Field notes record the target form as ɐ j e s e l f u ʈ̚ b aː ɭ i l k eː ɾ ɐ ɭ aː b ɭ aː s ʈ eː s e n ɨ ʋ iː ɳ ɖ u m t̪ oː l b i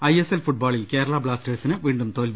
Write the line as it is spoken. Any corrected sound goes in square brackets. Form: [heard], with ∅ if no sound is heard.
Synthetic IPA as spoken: ɐ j e s e l f u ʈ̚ b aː ɭ i l k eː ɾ ɐ ɭ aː b ɭ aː s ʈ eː s [i] n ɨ ʋ iː ɳ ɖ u m t̪ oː l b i